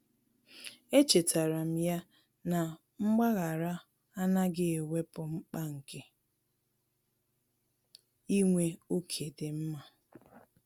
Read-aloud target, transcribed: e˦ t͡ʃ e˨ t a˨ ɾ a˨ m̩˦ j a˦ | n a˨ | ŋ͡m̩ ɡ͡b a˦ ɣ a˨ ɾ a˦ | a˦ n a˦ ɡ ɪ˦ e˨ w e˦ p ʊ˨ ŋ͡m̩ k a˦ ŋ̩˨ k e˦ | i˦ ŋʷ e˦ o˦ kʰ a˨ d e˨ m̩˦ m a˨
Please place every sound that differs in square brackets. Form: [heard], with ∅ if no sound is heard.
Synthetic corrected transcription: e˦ t͡ʃ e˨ t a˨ ɾ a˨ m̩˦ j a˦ | n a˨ | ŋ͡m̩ ɡ͡b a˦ ɣ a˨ ɾ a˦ | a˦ n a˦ ɡ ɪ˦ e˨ w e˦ p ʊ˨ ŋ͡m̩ [k͡p] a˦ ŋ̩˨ k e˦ | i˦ ŋʷ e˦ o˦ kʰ [e˨] d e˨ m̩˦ m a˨